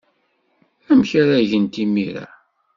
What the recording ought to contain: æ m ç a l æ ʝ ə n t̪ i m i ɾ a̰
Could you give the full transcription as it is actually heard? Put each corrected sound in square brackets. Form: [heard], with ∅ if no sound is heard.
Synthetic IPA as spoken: æ m ç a [ɾ] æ ʝ ə n t̪ i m i ɾ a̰

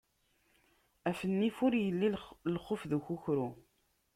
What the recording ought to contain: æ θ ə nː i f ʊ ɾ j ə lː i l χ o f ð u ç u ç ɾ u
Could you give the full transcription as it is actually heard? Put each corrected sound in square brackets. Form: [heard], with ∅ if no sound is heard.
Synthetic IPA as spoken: æ [f] ə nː i f ʊ ɾ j ə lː i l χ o f ð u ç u ç ɾ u

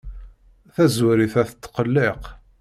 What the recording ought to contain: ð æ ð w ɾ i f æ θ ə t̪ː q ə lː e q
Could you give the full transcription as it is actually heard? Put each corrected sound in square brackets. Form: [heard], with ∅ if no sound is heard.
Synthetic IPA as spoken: [θ] æ [z] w ɾ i [θ] æ θ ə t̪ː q ə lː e q

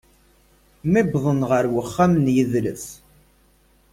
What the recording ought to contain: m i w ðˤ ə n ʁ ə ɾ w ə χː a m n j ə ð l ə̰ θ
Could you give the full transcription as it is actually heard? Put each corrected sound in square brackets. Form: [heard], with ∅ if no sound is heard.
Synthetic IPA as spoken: m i [b] ðˤ ə n ʁ ə ɾ w ə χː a m n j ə ð l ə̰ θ

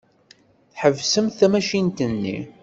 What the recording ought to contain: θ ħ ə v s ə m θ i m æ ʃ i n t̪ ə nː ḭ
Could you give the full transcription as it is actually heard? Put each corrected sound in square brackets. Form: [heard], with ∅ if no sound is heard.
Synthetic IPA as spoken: θ ħ ə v s ə m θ [æ] m æ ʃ i n t̪ ə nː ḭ

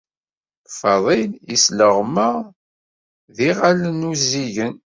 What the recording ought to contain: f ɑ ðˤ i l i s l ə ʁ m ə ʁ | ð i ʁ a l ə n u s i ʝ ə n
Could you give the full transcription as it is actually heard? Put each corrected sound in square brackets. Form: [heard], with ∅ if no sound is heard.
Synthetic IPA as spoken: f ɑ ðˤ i l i s l ə ʁ m ə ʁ | ð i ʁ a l ə n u [z] i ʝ ə n

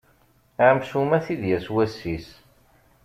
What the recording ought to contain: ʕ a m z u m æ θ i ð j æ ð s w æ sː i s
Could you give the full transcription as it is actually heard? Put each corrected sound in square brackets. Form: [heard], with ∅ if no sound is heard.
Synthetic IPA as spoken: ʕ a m [s] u m æ θ i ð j æ [∅] s w æ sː i s

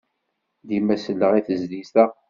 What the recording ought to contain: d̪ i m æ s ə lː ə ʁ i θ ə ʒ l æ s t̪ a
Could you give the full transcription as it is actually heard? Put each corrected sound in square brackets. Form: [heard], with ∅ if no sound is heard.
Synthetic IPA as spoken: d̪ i m æ s ə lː ə ʁ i θ ə [z] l [i] s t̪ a

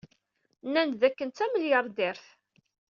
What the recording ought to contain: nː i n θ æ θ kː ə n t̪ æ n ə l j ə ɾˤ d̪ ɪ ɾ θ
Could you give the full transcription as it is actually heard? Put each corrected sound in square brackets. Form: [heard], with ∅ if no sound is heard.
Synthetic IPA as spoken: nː [æ] n [ð] æ [∅] kː ə n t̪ æ [m] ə l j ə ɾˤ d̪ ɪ ɾ θ

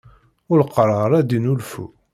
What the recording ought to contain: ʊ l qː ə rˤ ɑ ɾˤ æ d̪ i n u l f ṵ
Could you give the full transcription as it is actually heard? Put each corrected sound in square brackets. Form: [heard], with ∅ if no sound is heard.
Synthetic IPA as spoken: ʊ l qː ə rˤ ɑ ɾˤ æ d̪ i n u l f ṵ

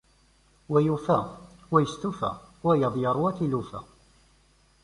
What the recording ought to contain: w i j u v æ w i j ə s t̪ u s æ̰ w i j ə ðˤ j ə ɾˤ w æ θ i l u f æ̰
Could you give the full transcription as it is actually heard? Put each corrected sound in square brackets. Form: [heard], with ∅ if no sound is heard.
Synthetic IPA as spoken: w [æ] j u [f] æ w [æ] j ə s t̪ u [f] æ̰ w [æ] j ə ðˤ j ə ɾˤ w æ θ i l u f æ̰

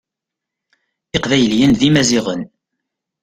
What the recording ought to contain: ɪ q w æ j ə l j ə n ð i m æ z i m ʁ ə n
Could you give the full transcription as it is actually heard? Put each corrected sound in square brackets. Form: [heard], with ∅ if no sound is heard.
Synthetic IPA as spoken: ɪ q [v] æ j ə l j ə n ð i m æ z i [∅] ʁ ə n

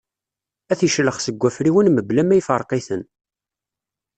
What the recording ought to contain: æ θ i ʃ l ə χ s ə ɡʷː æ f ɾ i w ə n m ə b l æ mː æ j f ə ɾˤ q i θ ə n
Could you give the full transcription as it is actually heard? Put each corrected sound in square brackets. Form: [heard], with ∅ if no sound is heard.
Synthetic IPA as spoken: æ θ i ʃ l ə χ s ə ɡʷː æ f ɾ i w ə n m ə b l æ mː æ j f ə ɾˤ q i θ ə n

